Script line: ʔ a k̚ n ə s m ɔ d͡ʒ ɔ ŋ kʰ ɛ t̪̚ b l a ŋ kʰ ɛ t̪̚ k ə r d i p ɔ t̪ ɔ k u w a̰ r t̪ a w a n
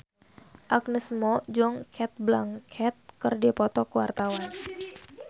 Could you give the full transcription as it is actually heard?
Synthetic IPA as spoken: ʔ a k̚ n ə s m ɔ d͡ʒ ɔ ŋ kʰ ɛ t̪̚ b l a ŋ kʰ ɛ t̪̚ k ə r d i p ɔ t̪ ɔ k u w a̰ r t̪ a w a n